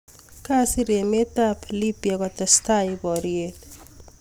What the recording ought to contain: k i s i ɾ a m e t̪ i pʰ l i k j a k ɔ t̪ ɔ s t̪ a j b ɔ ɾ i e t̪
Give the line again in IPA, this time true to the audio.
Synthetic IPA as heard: k a s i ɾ e m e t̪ a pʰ l i p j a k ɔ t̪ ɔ s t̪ a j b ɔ ɾ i e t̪